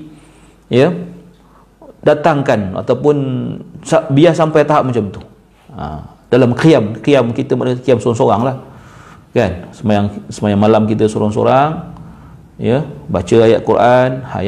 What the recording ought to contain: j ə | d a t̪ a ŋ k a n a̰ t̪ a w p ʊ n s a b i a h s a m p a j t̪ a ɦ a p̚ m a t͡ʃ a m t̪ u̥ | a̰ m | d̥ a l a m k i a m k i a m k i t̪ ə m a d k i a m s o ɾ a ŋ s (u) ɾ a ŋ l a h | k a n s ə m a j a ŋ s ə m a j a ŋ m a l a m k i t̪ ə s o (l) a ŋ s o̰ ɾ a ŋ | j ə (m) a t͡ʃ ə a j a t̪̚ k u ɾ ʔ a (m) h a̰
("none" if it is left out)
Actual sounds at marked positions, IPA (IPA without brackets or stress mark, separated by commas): o, ɾ, b, n